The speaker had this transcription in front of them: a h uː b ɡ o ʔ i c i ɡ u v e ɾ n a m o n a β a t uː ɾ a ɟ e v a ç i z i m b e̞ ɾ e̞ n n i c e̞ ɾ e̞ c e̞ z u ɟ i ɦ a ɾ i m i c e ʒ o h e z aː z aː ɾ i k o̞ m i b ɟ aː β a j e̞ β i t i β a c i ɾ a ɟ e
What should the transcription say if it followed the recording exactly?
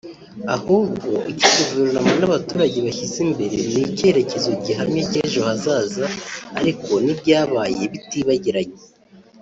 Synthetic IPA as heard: a h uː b ɡ o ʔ i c i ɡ u v e ɾ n a m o n a β a t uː ɾ a ɟ e β a ç i z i m b e̞ ɾ e̞ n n i c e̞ ɾ e̞ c e̞ z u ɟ i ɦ a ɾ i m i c e ʒ o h a z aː z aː ɾ i k o̞ n i b ɟ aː β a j e̞ β i t i β a ɟ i ɾ a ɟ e

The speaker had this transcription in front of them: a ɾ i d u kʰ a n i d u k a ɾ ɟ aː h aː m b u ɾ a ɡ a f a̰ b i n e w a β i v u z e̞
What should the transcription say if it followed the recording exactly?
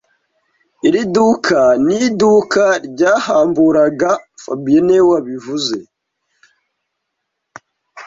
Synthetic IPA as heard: i ɾ i d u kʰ a n i d u k a ɾ ɟ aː h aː m b u ɾ a ɡ a f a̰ b i n e w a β i v u z e̞

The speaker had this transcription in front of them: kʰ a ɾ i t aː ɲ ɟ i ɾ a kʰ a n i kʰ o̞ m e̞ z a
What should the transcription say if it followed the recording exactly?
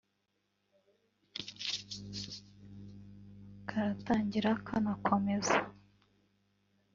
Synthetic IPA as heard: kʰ a ɾ a t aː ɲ ɟ i ɾ a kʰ a n a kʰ o̞ m e̞ z a

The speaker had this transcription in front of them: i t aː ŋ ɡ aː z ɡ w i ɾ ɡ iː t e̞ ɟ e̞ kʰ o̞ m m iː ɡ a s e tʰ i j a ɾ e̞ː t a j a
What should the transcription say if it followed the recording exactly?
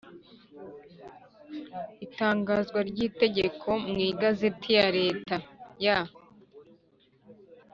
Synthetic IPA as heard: i t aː ŋ ɡ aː z ɡ w a ɾ ɟ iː t e̞ ɟ e̞ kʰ o̞ m ŋ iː ɡ a z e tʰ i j a ɾ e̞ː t a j a

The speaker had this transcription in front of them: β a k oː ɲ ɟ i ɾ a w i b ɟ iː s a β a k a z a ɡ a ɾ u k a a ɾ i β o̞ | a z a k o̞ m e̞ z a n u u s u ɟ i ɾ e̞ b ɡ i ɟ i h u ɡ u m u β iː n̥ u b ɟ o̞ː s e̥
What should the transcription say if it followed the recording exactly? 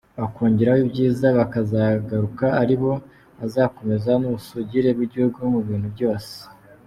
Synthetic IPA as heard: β a k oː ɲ ɟ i ɾ a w i b ɟ iː z a β a k a z a ɡ a ɾ u k a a ɾ i β o̞ | a z a k o̞ m e̞ z a n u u s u ɟ i ɾ e̞ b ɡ i ɟ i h u ɡ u m u β iː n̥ u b ɟ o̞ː s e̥

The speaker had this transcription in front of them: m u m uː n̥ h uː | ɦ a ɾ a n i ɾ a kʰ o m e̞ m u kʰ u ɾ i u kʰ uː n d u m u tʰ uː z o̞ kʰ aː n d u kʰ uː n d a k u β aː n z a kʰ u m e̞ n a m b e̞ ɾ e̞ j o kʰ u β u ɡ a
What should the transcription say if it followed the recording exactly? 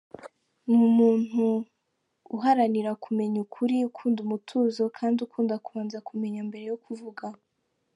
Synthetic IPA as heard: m u m uː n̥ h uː | ɦ a ɾ a n i ɾ a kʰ u m e̞ ɲ u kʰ u ɾ i u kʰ uː n d u m u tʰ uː z o̞ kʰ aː n d u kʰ uː n d a k u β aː n z a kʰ u m e̞ ɲ a m b e̞ ɾ e̞ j o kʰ u v u ɡ a

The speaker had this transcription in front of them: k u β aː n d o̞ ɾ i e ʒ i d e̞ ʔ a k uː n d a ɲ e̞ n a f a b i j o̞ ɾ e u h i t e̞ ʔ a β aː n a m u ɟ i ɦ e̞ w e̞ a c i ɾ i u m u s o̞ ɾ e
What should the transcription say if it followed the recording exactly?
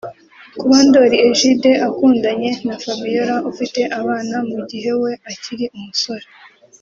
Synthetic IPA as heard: k u β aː n d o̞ ɾ i e ʒ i d e̞ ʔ a k uː n d a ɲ e̞ n a f a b i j o̞ ɾ a u f i t e̞ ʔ a β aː n a m u ɟ i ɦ e̞ w e̞ a c i ɾ i u m u s o̞ ɾ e

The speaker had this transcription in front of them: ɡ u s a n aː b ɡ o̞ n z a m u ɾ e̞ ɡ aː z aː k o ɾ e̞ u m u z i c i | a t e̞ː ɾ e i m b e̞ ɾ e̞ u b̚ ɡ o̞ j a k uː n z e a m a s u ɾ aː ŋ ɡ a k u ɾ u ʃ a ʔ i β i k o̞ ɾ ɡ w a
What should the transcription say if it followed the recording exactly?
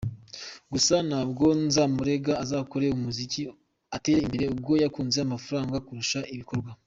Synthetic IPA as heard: ɡ u s a n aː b ɡ o̞ n z a m u ɾ e̞ ɡ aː z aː k o ɾ e̞ u m u z i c i | a t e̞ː ɾ e i m b e̞ ɾ e̞ u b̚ ɡ o̞ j a k uː n z e a m a f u ɾ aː ŋ ɡ a k u ɾ u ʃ a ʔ i β i k o̞ ɾ ɡ w a

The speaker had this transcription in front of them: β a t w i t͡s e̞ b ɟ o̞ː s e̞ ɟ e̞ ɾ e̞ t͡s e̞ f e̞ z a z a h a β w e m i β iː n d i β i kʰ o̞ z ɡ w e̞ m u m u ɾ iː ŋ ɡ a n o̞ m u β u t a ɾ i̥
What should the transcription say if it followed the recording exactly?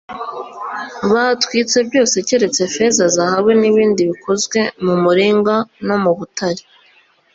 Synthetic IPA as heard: β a t w i t͡s e̞ b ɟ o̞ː s e̞ c e̞ ɾ e̞ t͡s e̞ f e̞ z a z a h a β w e n i β iː n d i β i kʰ o̞ z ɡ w e̞ m u m u ɾ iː ŋ ɡ a n o̞ m u β u t a ɾ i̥

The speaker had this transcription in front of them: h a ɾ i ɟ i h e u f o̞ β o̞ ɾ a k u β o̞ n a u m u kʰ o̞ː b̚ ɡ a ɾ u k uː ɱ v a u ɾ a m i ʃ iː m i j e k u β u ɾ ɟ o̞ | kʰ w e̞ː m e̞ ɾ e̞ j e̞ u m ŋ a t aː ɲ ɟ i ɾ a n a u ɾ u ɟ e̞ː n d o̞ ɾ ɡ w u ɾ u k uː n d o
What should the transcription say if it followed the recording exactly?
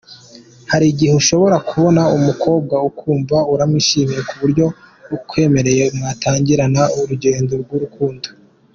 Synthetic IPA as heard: h a ɾ i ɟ i h e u ʃ o̞ β o̞ ɾ a k u β o̞ n a u m u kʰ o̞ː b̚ ɡ a u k uː ɱ v a u ɾ a m i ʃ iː m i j e k u β u ɾ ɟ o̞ | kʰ w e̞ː m e̞ ɾ e̞ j e̞ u m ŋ a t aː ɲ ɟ i ɾ a n a u ɾ u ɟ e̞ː n d o̞ ɾ ɡ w u ɾ u k uː n d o

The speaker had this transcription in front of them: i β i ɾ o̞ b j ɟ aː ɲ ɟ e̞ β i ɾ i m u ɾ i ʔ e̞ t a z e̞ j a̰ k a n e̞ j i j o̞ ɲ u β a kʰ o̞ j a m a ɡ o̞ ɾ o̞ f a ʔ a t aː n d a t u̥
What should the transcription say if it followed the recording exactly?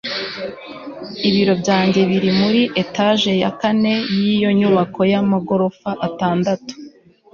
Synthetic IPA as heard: i β i ɾ o̞ b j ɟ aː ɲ ɟ e̞ β i ɾ i m u ɾ i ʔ e̞ t a ʒ e̞ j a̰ k a n e̞ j i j o̞ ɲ u β a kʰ o̞ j a m a ɡ o̞ ɾ o̞ f a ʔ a t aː n d a t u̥

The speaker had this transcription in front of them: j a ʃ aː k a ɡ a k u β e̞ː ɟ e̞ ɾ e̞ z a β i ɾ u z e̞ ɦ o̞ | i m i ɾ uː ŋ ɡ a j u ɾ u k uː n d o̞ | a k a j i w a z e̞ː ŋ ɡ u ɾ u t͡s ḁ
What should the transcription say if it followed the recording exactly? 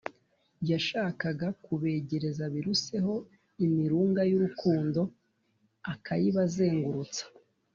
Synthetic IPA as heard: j a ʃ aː k a ɡ a k u β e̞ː ɟ e̞ ɾ e̞ z a β i ɾ u s e̞ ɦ o̞ | i m i ɾ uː ŋ ɡ a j u ɾ u k uː n d o̞ | a k a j i β a z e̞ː ŋ ɡ u ɾ u t͡s ḁ

